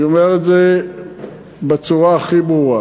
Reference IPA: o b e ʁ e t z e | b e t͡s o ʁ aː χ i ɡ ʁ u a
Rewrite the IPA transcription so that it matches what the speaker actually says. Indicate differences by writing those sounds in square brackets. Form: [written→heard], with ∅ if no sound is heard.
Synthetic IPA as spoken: o [b→m] e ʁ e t z e | b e t͡s [o→u] ʁ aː χ i [ɡ→b] ʁ u a

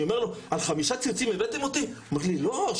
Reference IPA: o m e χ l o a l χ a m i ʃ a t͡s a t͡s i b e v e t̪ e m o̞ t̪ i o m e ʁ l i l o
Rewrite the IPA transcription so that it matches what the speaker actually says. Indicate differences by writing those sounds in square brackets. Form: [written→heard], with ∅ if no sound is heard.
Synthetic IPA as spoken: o m e [χ→ʁ] l o a l χ a m i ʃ a t͡s [a→i] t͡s i [b→m] e v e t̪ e m o̞ t̪ i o m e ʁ l i l o

